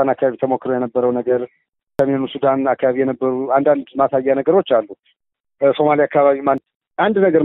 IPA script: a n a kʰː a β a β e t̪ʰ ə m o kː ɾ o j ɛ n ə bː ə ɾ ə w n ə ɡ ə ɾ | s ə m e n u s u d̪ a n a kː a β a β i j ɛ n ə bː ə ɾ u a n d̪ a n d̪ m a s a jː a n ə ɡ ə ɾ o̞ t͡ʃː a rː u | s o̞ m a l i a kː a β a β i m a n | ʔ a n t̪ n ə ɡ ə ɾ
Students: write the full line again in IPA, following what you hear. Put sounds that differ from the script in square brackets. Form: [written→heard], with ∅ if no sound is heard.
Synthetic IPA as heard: a n a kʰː a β a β [e→i] t̪ʰ ə m o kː ɾ o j ɛ n ə bː ə ɾ ə w n ə ɡ ə ɾ | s ə m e n u s u d̪ a n a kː a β a β i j ɛ n ə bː ə ɾ u a n d̪ a n d̪ m a s a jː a n ə ɡ ə ɾ o̞ t͡ʃː a [rː→lː] u | s o̞ m a l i a kː a β a β i m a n | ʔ a n [t̪→d̪] n ə ɡ ə ɾ